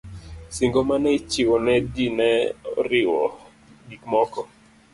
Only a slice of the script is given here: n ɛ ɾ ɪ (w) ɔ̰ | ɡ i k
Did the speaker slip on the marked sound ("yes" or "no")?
no